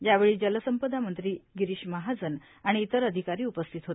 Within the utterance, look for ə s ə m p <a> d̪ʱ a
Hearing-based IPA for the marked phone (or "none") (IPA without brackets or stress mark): ə